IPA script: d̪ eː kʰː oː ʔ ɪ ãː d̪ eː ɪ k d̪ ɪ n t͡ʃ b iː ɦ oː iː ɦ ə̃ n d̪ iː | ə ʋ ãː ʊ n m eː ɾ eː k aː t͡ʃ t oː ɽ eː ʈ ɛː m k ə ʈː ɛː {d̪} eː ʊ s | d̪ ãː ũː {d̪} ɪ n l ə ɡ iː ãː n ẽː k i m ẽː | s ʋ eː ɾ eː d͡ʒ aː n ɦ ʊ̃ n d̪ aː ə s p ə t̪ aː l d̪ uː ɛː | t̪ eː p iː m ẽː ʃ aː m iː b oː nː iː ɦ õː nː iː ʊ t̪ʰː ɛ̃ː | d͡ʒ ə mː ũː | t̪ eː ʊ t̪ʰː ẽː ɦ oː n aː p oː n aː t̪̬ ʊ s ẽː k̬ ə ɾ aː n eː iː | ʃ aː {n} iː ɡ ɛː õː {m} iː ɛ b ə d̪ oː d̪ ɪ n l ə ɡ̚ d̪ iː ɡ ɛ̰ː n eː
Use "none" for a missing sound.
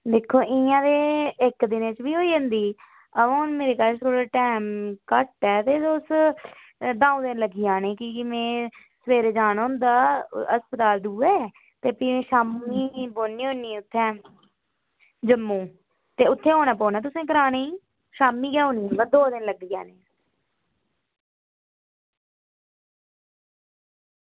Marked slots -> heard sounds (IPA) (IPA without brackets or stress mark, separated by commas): t̪, d̪, m, n